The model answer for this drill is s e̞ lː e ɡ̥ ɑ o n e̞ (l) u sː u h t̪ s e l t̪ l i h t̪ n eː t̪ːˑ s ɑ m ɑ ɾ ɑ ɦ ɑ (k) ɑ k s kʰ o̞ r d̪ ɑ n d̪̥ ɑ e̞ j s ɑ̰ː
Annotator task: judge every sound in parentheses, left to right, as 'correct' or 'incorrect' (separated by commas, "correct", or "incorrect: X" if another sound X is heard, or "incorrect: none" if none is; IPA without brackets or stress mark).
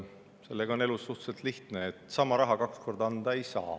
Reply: correct, correct